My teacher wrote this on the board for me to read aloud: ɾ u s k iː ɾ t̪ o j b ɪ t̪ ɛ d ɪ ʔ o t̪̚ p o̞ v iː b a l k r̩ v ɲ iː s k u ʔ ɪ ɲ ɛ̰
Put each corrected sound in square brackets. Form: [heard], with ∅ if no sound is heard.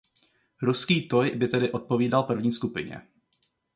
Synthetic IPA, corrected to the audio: ɾ u s k iː [∅] t̪ o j b ɪ t̪ ɛ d ɪ ʔ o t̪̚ p o̞ v iː [d] a l [p] r̩ v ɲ iː s k u [p] ɪ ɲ ɛ̰